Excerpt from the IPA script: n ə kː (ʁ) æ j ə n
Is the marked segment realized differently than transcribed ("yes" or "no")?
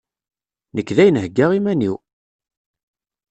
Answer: yes